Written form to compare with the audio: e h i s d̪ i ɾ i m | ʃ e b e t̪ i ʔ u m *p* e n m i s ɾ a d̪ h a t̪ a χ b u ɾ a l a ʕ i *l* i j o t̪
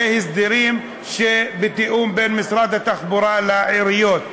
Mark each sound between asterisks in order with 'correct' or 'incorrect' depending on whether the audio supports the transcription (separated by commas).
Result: incorrect, incorrect